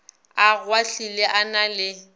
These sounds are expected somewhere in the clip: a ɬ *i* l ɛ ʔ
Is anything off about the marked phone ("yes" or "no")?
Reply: no